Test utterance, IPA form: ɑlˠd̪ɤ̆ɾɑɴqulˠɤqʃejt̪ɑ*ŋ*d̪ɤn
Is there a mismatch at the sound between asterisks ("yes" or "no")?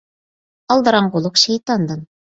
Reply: yes